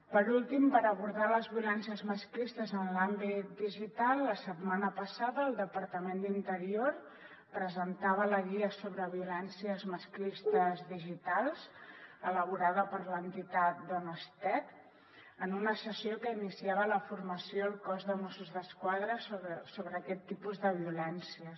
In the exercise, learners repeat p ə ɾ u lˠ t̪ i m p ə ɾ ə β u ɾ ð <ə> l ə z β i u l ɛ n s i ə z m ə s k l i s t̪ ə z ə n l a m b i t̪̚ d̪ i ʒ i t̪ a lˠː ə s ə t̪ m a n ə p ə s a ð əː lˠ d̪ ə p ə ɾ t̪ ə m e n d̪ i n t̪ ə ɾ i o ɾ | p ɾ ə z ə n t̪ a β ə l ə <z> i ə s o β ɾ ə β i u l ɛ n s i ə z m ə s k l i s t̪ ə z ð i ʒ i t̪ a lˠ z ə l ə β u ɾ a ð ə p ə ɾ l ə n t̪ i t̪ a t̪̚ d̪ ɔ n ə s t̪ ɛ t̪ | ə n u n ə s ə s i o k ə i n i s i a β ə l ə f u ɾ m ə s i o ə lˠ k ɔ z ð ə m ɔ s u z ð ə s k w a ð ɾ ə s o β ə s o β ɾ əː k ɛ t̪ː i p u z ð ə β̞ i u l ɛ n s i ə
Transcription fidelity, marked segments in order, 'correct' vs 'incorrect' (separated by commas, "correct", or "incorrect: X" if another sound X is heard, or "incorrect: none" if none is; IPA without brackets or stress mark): incorrect: a, incorrect: ɣ